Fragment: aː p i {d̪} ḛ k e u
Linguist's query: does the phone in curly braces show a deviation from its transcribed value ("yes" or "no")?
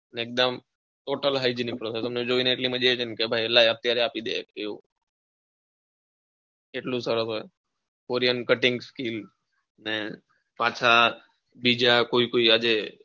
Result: no